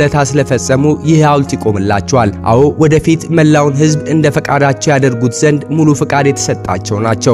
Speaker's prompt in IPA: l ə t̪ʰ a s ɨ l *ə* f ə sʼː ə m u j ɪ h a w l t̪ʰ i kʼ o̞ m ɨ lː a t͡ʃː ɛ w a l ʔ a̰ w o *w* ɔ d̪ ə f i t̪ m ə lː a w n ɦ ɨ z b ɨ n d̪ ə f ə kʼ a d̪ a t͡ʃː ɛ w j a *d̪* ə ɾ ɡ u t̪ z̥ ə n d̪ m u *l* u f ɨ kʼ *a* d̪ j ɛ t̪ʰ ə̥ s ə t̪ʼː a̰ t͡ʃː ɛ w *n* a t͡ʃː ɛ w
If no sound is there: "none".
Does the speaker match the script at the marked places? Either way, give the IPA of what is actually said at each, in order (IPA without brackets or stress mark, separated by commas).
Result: ə, w, d̪, l, a, n